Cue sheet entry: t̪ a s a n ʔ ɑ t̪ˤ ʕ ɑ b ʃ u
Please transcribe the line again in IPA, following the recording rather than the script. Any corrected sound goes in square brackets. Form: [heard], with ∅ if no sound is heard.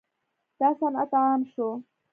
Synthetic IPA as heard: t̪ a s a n ʔ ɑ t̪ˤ ʕ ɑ [m] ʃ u